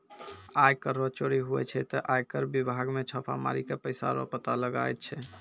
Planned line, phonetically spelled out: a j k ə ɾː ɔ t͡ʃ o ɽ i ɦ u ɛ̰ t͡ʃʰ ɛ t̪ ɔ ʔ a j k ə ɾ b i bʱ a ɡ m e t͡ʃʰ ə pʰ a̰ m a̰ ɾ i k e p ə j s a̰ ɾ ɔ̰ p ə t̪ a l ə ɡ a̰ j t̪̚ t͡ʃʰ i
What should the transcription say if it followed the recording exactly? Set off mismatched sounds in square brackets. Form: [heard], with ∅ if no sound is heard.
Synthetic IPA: a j k ə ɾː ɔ t͡ʃ o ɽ i ɦ u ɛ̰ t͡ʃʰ ɛ t̪ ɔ ʔ a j k ə ɾ b i bʱ a ɡ m e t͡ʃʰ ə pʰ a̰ m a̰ ɾ i k e p ə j s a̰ ɾ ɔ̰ p ə t̪ a l ə ɡ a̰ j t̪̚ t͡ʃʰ [ɛ]